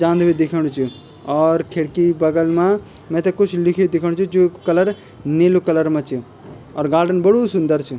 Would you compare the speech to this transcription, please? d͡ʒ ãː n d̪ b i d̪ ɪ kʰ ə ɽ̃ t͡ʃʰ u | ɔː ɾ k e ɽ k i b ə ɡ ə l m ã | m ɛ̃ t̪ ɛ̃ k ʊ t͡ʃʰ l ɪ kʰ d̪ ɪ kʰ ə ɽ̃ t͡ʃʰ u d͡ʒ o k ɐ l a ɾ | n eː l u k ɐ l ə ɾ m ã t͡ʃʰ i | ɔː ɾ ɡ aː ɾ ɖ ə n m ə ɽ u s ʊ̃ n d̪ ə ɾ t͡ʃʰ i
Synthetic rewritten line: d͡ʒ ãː n d̪ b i d̪ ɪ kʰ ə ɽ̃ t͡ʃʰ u | ɔː ɾ kʰ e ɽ k i b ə ɡ ə l m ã | m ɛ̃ t̪ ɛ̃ k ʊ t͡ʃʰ l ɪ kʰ d̪ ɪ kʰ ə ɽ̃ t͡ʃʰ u d͡ʒ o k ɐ l ə ɾ | n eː l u k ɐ l ə ɾ m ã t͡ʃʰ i | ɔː ɾ ɡ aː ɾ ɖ ə n b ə ɽ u s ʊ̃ n d̪ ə ɾ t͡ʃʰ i

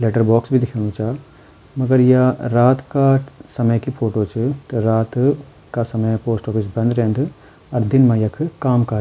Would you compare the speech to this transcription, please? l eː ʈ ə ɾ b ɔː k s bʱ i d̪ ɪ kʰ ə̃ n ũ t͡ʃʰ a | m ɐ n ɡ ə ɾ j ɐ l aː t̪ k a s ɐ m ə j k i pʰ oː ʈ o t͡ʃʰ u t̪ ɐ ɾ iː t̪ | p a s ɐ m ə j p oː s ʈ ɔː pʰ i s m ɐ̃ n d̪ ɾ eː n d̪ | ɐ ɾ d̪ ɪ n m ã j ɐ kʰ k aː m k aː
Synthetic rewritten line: l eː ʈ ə ɾ b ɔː k s bʱ i d̪ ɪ kʰ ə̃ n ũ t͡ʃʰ a | m ɐ ɡ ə ɾ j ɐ ɾ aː t̪ k a s ɐ m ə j k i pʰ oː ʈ o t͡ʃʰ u t̪ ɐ ɾ aː t̪ | k a s ɐ m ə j p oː s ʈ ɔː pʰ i s b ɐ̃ n d̪ ɾ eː n d̪ | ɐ ɾ d̪ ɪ n m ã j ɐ kʰ k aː m k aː

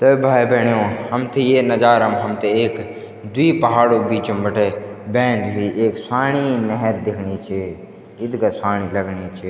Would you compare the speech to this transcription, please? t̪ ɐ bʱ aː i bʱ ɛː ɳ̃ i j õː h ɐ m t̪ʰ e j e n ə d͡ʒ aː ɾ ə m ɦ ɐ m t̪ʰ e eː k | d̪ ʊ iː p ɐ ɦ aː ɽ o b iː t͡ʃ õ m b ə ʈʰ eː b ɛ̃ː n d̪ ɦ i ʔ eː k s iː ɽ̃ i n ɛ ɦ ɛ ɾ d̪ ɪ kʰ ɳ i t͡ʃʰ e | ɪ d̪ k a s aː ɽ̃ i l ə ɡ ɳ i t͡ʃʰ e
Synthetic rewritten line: t̪ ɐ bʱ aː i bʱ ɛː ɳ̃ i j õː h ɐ m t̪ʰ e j e n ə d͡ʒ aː ɾ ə m ɦ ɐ m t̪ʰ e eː k | d̪ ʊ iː p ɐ ɦ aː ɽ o b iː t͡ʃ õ m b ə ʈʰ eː b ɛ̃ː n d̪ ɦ i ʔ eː k s aː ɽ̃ i n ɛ ɦ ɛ ɾ d̪ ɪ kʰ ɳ i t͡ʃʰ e | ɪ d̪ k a s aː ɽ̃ i l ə ɡ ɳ i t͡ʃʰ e

